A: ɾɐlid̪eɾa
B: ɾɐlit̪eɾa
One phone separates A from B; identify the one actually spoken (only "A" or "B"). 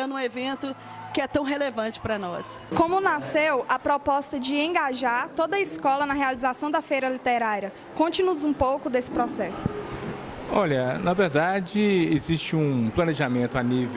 B